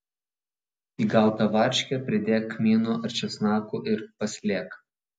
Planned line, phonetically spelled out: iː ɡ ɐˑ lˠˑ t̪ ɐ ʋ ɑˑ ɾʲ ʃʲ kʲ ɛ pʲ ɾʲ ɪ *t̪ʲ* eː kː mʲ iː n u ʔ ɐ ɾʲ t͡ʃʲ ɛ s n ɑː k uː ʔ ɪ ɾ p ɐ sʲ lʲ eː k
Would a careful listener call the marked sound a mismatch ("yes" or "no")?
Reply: yes